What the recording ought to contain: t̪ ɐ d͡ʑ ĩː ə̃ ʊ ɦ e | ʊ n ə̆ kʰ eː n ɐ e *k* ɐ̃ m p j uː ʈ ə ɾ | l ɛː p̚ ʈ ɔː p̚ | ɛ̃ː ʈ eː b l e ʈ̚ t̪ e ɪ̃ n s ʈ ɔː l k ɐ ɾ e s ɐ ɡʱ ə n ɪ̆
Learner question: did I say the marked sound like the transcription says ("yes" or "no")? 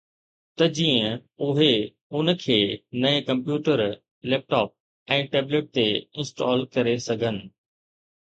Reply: yes